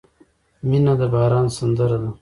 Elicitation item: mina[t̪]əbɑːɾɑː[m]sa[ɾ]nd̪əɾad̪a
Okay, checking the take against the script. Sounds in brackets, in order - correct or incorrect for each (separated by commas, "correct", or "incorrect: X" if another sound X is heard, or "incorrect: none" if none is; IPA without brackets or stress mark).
incorrect: d̪, incorrect: n, incorrect: none